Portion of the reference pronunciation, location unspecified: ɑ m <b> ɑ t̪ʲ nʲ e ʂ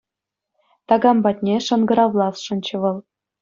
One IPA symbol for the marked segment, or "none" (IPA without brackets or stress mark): b